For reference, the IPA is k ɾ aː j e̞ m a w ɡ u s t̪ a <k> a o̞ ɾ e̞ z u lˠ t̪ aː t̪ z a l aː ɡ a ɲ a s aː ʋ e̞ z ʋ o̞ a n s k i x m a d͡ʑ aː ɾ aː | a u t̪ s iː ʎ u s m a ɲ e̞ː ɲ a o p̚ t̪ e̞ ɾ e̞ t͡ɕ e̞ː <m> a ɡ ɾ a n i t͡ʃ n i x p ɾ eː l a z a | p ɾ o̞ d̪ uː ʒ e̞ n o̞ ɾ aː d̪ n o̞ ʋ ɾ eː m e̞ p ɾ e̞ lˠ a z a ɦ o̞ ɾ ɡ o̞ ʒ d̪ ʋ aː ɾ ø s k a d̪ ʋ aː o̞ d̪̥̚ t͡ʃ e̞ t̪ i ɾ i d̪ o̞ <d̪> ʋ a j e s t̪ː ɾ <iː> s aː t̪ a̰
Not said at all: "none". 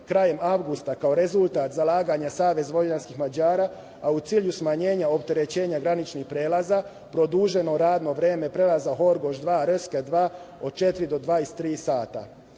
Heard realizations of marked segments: k, ɲ, d̪, iː

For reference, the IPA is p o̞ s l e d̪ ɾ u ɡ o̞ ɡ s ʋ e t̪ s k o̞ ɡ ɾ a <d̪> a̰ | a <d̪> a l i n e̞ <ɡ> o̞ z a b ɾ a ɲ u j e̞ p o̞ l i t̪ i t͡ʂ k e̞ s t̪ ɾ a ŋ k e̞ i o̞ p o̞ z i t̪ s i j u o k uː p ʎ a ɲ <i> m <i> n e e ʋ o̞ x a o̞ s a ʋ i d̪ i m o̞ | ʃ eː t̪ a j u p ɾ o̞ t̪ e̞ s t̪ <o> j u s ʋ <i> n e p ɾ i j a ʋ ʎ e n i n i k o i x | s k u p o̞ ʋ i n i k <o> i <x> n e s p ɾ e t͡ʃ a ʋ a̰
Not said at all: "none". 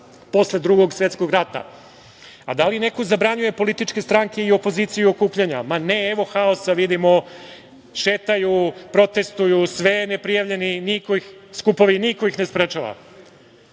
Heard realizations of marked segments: t̪, d̪, k, a, a, u, e, o, x

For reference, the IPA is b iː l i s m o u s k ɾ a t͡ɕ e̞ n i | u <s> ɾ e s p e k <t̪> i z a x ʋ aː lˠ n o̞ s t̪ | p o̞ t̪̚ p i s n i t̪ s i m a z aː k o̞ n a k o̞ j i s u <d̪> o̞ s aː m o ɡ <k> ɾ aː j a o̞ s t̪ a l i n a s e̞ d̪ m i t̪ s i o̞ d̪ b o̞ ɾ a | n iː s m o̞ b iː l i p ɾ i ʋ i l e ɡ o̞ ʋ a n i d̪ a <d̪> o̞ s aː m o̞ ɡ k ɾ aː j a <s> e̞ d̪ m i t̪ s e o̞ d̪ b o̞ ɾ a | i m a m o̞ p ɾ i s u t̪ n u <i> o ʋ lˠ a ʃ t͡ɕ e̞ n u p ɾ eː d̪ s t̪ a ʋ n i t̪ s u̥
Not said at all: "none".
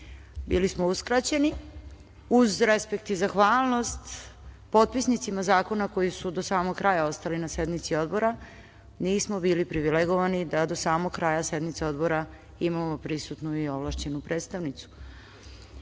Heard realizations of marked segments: z, t̪, d̪, k, d̪, s, i

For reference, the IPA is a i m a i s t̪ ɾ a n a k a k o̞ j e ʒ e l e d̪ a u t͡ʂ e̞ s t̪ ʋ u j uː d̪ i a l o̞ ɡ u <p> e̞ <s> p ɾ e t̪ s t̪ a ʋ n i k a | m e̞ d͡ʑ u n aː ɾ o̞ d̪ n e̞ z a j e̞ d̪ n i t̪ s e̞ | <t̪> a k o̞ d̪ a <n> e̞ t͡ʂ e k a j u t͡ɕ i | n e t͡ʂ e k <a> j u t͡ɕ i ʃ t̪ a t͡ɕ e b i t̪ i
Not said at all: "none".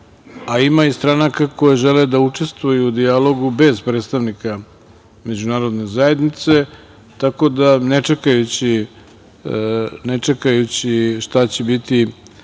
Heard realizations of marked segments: b, z, t̪, n, a

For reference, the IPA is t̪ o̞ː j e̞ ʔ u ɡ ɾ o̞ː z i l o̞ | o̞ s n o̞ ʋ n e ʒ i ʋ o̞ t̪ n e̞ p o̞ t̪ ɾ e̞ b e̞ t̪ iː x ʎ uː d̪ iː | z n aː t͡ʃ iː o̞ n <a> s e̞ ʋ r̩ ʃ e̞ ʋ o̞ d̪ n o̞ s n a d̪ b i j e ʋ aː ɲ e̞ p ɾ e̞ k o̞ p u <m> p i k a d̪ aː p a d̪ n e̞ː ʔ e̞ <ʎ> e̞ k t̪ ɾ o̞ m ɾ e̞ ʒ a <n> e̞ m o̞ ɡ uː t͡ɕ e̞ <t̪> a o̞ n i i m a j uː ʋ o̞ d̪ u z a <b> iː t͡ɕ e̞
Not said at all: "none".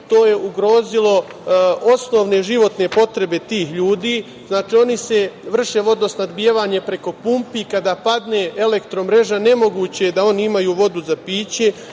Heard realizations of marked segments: i, m, l, n, d̪, p

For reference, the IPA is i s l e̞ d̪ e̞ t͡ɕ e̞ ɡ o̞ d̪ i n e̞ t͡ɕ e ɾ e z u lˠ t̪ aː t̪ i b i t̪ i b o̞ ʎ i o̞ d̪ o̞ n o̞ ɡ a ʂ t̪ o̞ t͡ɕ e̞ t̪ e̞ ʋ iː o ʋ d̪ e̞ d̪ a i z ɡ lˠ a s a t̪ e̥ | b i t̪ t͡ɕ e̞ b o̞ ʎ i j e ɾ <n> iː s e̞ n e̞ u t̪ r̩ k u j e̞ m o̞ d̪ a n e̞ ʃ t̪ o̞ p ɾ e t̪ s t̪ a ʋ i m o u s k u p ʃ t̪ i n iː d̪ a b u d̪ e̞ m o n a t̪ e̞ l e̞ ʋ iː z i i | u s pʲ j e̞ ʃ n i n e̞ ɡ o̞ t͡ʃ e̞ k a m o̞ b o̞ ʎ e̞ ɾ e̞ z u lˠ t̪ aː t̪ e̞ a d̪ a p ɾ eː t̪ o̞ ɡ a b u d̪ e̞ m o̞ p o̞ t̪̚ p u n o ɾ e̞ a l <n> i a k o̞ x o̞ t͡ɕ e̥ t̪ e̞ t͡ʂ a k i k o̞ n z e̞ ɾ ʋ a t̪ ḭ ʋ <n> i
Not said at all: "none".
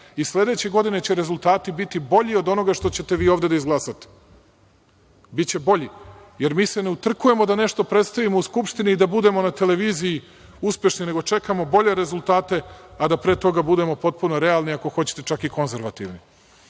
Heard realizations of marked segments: m, n, n

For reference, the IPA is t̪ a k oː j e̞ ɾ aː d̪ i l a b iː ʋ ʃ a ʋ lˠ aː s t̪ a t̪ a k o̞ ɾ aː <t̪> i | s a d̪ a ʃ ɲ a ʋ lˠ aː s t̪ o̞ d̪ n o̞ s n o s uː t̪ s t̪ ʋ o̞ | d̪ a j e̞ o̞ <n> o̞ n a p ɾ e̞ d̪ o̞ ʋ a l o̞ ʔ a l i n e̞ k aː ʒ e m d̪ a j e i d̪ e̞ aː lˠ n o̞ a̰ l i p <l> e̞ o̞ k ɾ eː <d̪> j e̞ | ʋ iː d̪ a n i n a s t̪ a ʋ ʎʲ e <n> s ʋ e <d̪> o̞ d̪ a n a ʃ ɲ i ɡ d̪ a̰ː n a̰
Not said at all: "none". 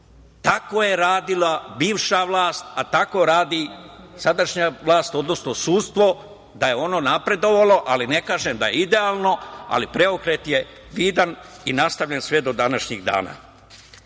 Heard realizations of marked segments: d̪, n, ɾ, t̪, n, d̪

